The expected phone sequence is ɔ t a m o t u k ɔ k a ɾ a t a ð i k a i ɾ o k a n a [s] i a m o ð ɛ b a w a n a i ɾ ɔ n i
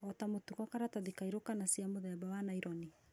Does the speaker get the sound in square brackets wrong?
no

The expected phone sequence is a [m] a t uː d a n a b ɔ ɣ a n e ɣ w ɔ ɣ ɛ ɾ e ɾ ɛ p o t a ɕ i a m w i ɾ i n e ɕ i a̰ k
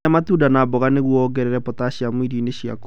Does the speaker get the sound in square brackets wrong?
no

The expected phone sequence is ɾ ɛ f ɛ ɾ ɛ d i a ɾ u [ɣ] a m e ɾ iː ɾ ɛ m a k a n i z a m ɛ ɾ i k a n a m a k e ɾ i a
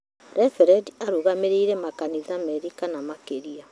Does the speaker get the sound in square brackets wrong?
no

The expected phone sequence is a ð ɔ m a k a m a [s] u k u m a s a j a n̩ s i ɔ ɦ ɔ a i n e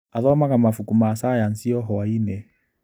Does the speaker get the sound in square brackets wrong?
yes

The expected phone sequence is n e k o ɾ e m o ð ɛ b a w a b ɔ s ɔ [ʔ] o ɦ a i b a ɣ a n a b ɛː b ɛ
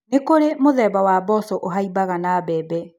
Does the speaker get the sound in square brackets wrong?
no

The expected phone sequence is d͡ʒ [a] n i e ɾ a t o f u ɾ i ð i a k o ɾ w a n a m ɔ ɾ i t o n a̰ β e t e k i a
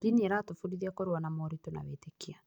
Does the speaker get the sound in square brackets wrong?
yes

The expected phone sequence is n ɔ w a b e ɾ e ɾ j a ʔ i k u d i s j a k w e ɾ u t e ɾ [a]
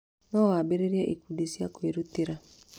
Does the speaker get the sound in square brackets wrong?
no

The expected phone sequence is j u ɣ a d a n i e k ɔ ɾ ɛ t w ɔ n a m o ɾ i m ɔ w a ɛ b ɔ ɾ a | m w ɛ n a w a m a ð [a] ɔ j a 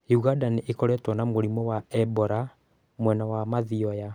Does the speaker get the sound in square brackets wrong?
yes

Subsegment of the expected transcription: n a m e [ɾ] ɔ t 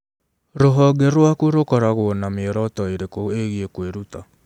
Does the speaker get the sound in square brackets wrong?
no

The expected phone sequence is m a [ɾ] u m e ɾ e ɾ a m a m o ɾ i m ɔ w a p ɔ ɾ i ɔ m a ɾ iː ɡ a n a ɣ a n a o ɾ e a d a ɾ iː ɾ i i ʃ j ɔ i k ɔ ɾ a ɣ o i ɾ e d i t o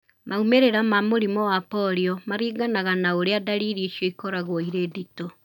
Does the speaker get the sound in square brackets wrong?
yes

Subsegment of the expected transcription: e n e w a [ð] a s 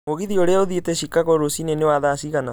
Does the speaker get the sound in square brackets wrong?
no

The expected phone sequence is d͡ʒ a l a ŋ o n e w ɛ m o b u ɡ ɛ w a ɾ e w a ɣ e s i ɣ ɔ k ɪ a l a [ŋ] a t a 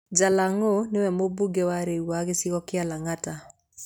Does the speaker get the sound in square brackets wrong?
no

